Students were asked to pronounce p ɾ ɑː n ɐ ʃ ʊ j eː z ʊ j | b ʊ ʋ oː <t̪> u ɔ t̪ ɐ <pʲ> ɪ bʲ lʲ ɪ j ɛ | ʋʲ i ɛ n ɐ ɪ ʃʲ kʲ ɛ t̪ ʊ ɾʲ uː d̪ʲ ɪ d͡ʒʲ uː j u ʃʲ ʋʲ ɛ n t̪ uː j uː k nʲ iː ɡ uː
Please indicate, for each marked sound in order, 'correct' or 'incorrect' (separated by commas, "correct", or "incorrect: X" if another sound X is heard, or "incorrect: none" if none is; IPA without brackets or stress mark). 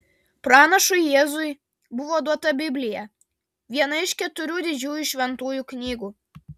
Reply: incorrect: d̪, incorrect: bʲ